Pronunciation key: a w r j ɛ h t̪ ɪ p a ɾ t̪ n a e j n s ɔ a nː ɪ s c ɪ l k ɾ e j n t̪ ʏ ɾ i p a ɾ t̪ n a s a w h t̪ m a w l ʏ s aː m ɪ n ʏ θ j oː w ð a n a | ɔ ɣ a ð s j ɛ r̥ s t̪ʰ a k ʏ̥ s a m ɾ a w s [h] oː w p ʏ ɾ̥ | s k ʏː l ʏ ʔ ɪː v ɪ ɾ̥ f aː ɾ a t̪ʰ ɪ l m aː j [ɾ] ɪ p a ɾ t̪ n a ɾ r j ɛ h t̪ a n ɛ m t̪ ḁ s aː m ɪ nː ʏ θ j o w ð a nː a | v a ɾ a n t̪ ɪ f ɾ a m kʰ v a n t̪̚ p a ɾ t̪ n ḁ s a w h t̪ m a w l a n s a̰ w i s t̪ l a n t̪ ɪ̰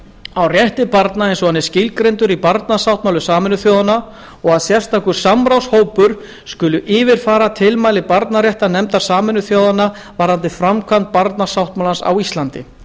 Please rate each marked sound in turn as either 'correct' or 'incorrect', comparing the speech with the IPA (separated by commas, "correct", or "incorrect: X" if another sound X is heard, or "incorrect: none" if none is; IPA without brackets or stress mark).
correct, incorrect: l